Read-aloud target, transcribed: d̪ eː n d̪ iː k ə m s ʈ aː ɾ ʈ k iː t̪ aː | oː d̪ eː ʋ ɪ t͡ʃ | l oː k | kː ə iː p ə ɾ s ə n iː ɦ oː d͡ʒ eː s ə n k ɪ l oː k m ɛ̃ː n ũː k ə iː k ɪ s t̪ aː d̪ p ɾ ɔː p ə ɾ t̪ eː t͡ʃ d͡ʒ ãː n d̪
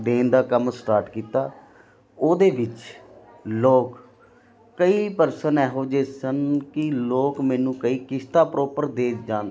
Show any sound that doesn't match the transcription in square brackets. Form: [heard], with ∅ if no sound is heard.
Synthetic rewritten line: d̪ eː n d̪ [aː] k ə m s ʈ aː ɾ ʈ k iː t̪ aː | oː d̪ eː ʋ ɪ t͡ʃ | l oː k | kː ə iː p ə ɾ s ə n [ɛː] ɦ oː d͡ʒ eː s ə n k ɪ l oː k m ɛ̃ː n ũː k ə iː k ɪ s t̪ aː [∅] p ɾ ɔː p ə ɾ [d̪] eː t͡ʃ d͡ʒ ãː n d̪